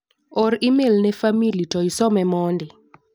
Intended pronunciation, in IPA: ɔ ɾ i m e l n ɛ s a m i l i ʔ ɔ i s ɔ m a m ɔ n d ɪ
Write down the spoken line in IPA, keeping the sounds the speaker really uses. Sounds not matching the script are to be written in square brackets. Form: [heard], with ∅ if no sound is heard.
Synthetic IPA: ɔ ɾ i m e l n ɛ [f] a m i l i [t] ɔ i s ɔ m [ɛ] m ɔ n d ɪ

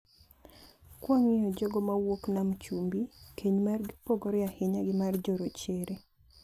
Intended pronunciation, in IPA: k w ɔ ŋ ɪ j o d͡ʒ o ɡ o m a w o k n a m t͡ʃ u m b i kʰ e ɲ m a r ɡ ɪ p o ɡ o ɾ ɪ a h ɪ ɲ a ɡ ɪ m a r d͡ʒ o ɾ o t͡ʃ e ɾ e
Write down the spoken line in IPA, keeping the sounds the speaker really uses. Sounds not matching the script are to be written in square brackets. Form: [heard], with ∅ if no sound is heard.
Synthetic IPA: k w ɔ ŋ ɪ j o d͡ʒ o ɡ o m a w o k n a m t͡ʃ u m b i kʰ e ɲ m a r ɡ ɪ p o ɡ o ɾ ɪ a h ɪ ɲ a ɡ ɪ m a r d͡ʒ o ɾ o t͡ʃ e ɾ e

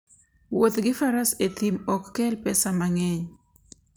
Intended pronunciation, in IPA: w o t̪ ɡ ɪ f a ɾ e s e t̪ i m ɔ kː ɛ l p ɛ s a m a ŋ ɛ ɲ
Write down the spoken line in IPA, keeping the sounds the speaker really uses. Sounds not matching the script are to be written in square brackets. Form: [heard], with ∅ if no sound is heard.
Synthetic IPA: w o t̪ ɡ ɪ f a ɾ [a] s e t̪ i m ɔ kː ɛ l p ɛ s a m a ŋ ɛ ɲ

